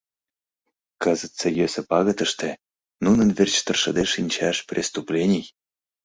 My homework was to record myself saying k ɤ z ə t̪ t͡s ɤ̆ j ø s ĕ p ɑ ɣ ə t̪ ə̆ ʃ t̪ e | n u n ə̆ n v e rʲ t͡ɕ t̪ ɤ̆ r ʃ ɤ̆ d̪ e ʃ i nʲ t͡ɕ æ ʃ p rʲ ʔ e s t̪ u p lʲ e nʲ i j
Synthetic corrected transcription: k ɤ z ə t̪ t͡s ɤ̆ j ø s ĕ p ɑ ɣ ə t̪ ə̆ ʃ t̪ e | n u n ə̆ n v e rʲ t͡ɕ t̪ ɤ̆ r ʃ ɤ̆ d̪ e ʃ i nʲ t͡ɕ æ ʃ p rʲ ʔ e s t̪ u p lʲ e nʲ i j